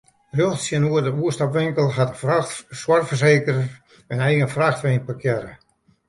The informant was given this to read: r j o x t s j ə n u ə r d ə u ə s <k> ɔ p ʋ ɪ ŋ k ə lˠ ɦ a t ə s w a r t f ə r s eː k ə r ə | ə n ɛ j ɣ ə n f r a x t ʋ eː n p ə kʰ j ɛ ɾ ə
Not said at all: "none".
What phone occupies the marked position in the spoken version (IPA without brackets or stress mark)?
t